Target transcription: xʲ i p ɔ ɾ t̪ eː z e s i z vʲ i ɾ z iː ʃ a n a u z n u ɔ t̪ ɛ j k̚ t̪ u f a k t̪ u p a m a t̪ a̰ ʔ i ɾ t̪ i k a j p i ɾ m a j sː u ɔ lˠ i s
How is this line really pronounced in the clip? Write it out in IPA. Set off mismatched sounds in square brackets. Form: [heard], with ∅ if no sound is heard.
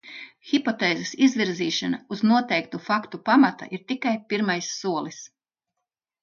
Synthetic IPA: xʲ i p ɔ [∅] t̪ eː z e s i z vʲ i ɾ z iː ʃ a n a u z n u ɔ t̪ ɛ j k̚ t̪ u f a k t̪ u p a m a t̪ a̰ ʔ i ɾ t̪ i k a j p i ɾ m a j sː u ɔ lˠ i s